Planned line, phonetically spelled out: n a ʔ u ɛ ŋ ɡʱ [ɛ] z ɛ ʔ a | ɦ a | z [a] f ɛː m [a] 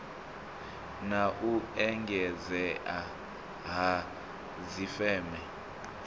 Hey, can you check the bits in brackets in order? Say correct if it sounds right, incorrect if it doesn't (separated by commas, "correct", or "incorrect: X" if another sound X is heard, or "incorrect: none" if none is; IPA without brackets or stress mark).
correct, incorrect: i, incorrect: ɛ